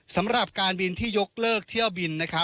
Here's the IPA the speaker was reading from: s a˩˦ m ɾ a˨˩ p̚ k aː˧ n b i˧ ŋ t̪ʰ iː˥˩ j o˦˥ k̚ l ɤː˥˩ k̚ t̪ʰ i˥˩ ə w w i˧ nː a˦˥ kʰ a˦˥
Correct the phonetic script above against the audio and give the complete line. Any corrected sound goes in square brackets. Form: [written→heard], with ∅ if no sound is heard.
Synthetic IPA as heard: s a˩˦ m ɾ a˨˩ p̚ k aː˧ n b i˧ [ŋ→n] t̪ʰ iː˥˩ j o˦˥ k̚ l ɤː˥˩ k̚ t̪ʰ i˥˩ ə w [w→b] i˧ nː a˦˥ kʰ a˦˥